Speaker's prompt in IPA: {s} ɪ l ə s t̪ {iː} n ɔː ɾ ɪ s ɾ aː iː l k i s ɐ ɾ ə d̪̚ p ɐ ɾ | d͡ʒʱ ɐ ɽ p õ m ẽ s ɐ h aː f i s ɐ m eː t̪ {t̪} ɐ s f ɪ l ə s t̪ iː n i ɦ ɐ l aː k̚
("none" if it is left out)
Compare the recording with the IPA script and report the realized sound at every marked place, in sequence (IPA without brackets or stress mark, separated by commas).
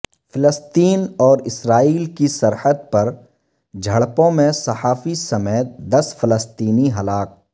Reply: f, iː, d̪